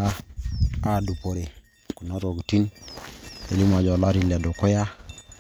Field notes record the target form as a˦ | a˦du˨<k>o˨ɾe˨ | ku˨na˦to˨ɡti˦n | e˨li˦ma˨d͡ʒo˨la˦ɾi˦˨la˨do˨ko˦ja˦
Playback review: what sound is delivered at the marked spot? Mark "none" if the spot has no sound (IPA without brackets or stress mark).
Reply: p